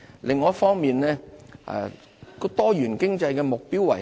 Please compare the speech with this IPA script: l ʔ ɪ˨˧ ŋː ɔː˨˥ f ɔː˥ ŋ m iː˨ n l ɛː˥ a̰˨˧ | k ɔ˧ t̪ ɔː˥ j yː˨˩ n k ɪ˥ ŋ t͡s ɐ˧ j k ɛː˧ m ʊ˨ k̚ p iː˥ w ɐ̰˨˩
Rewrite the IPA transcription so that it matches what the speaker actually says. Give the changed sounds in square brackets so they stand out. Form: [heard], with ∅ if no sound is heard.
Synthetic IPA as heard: l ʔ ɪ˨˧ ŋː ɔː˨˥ f ɔː˥ ŋ m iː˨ n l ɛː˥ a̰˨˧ | k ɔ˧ t̪ ɔː˥ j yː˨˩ n k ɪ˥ ŋ t͡s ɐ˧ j k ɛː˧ m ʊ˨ k̚ p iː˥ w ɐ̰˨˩